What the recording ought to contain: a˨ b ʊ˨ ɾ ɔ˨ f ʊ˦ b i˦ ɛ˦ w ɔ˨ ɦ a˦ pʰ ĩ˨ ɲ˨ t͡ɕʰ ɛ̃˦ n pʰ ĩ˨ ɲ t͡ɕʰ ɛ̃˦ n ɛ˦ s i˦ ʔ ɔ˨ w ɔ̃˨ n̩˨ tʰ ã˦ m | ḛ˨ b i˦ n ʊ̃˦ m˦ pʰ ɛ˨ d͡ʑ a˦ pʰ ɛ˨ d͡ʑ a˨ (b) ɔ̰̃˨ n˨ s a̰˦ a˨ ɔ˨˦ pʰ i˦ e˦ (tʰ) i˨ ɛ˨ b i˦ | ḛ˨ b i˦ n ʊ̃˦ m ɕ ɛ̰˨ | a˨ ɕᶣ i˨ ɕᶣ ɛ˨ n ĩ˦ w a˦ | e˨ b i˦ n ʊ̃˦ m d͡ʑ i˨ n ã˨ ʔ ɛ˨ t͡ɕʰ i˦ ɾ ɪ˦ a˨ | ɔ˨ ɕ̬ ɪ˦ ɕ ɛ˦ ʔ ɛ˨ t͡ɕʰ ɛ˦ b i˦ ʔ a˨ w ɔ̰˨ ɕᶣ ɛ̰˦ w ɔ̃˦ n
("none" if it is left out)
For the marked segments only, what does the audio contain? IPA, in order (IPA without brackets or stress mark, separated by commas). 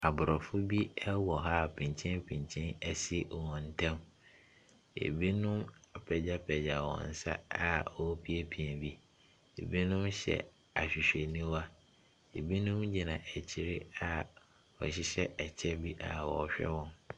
w, pʰ